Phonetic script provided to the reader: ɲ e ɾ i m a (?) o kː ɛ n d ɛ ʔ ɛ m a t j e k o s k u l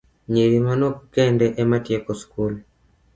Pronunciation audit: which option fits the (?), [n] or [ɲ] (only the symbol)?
n